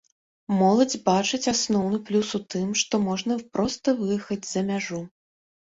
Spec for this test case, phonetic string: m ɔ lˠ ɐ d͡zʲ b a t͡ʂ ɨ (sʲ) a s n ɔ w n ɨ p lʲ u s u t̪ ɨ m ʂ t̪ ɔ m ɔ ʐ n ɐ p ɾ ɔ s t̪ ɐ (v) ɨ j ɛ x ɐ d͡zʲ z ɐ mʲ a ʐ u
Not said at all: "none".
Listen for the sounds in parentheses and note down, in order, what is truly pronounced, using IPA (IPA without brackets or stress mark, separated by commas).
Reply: t͡sʲ, v